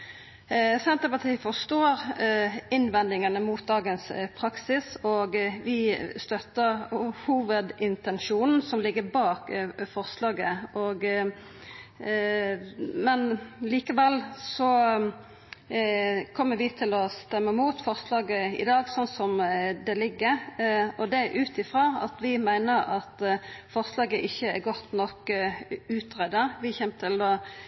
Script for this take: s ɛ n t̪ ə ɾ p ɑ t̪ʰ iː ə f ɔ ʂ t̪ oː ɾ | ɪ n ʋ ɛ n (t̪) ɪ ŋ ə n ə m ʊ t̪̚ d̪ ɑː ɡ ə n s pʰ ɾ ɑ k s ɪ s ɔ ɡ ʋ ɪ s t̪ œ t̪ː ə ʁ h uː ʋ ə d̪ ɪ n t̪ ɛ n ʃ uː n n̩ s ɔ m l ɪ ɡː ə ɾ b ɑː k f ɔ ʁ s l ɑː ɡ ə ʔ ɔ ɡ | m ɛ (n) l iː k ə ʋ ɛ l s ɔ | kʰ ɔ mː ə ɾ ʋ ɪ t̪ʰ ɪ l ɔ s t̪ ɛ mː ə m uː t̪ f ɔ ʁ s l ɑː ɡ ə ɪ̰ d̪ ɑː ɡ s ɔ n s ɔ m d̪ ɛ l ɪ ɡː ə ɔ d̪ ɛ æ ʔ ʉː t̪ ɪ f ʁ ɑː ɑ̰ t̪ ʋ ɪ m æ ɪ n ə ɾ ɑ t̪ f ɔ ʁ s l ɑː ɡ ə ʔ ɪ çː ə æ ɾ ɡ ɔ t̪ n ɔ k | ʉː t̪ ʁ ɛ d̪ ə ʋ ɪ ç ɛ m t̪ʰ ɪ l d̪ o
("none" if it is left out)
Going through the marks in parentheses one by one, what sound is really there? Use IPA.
d̪, n

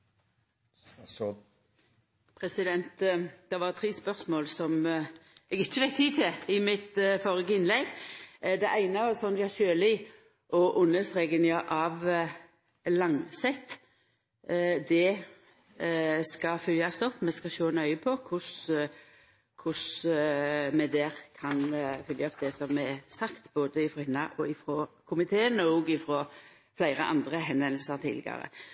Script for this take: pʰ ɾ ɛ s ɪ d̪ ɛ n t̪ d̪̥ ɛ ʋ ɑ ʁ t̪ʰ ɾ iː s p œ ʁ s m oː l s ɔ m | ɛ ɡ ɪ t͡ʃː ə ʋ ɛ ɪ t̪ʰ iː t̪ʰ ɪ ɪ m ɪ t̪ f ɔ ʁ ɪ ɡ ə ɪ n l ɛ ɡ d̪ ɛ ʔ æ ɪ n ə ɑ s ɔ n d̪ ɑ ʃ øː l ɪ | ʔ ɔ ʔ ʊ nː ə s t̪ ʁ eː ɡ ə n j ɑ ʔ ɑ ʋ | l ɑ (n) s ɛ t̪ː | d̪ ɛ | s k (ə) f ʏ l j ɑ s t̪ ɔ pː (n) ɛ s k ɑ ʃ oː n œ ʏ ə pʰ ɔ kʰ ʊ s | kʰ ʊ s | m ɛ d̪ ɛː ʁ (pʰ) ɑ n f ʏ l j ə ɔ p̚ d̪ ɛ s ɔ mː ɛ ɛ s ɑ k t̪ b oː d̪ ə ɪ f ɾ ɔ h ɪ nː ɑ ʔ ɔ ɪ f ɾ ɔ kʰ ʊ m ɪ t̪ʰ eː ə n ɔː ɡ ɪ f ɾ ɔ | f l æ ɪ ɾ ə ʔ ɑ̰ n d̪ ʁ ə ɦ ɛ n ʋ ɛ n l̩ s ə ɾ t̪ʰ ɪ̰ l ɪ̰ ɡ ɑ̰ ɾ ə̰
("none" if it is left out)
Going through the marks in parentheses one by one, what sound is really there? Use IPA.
ŋ, ɑ, m, kʰ

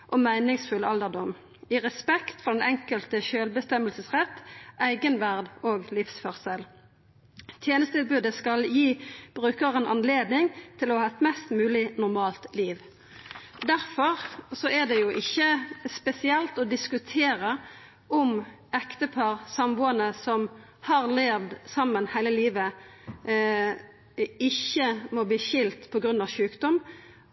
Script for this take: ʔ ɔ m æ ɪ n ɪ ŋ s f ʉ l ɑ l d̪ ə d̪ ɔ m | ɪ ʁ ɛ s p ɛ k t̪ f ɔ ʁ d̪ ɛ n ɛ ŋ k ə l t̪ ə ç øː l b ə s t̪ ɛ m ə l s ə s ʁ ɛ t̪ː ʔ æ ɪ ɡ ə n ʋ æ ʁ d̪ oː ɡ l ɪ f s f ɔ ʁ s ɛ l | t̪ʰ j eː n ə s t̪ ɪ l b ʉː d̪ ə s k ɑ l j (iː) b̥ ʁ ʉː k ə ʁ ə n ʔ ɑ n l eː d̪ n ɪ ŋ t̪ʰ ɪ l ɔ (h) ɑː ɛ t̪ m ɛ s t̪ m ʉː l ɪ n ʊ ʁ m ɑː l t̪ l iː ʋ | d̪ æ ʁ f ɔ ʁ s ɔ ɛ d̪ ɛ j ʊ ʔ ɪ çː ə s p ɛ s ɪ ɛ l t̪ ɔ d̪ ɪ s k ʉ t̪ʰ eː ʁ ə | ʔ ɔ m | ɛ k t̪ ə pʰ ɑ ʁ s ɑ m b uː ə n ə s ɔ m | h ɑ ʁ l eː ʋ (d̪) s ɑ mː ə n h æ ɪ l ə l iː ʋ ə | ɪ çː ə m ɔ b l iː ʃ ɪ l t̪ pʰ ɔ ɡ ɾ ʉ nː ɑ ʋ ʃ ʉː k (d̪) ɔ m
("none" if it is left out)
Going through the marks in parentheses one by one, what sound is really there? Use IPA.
iː, h, d̪, d̪

